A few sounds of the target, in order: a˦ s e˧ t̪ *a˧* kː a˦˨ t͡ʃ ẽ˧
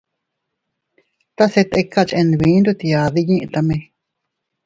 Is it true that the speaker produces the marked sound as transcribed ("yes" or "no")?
no